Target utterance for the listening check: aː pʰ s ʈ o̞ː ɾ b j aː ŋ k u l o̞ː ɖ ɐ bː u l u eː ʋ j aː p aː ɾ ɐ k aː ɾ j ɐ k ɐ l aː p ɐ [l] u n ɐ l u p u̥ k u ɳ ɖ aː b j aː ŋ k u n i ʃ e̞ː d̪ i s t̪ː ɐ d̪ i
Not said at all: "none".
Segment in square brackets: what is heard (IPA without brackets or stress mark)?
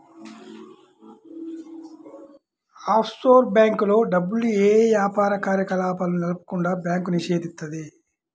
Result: l